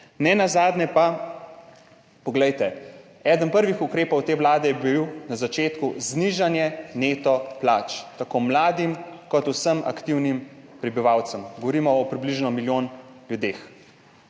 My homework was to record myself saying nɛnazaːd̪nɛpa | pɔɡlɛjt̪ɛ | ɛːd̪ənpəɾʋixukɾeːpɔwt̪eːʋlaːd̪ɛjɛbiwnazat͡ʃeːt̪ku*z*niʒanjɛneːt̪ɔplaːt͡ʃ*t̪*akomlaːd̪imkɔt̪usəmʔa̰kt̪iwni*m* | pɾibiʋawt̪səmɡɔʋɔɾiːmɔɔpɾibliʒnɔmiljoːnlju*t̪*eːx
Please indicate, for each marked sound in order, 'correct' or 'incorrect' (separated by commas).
correct, correct, correct, incorrect